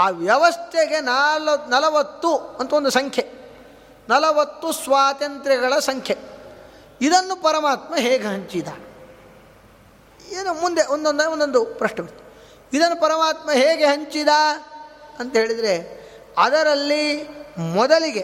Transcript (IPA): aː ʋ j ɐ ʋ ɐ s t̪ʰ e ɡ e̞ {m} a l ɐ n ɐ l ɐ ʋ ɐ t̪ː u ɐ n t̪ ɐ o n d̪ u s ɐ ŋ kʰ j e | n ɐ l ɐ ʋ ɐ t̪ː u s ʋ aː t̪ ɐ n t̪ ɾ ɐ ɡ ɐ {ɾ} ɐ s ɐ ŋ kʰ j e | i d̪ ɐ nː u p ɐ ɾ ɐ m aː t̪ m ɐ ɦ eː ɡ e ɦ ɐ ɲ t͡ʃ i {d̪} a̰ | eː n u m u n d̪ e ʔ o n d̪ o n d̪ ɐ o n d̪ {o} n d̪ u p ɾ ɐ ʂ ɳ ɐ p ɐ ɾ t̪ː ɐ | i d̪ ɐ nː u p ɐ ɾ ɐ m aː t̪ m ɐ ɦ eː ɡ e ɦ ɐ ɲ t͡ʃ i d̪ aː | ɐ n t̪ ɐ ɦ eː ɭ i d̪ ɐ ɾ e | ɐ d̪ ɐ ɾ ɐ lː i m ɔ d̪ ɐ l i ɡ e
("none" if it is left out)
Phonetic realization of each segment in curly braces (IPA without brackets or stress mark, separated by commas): n, ɭ, d̪, o